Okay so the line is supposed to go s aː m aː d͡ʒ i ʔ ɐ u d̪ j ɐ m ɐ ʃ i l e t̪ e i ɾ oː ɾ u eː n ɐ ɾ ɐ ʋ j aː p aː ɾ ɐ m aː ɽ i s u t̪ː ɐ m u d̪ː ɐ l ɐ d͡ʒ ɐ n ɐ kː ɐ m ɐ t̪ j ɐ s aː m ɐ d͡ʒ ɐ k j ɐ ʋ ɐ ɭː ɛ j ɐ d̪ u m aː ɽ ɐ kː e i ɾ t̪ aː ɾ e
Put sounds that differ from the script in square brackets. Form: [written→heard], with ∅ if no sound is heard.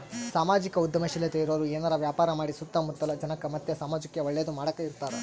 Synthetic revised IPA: s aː m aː d͡ʒ i [ʔ→k] ɐ u d̪ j ɐ m ɐ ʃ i l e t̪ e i ɾ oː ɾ u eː n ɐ ɾ ɐ ʋ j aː p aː ɾ ɐ m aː ɽ i s u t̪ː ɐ m u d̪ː ɐ l ɐ d͡ʒ ɐ n ɐ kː ɐ m ɐ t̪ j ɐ s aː m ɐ d͡ʒ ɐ k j ɐ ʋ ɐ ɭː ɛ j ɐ d̪ u m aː ɽ ɐ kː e i ɾ t̪ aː ɾ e